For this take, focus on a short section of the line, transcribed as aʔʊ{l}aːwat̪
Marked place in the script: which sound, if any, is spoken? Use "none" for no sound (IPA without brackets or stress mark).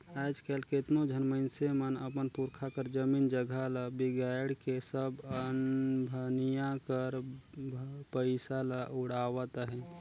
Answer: ɽ